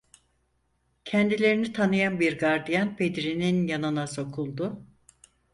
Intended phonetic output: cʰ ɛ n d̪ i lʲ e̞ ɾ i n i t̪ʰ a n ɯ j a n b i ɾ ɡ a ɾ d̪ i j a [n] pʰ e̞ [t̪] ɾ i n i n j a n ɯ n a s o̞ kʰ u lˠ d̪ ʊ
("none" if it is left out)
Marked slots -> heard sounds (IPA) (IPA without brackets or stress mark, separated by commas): n, d̪